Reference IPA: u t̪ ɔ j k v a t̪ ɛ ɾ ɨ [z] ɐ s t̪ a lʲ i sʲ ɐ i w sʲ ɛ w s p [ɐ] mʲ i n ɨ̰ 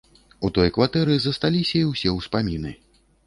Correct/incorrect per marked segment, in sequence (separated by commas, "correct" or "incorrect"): correct, incorrect